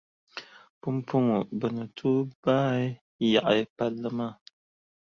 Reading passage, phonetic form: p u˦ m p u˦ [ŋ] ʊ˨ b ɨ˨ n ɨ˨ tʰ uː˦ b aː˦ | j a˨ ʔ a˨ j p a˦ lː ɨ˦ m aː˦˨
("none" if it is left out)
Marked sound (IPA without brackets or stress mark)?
ŋ